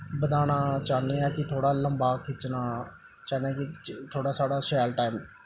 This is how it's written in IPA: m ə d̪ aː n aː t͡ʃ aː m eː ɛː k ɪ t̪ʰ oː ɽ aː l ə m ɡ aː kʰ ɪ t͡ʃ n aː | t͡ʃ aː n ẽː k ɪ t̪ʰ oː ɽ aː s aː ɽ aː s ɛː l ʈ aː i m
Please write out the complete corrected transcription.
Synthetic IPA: b ə d̪ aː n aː t͡ʃ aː n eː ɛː k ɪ t̪ʰ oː ɽ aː l ə m b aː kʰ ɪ t͡ʃ n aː | t͡ʃ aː n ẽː k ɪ t̪ʰ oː ɽ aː s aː ɽ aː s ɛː l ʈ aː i m